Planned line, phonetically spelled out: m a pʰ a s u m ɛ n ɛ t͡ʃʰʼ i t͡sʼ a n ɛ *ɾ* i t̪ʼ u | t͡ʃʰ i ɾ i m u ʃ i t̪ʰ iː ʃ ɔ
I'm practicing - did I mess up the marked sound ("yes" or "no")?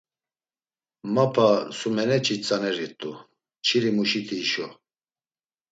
no